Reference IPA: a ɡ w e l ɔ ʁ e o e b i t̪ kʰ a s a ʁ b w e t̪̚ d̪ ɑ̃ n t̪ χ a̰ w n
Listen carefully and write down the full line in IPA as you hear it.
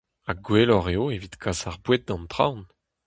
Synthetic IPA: a ɡ w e l ɔ ʁ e o e v i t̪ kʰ a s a ʁ b w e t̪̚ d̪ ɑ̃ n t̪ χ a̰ w n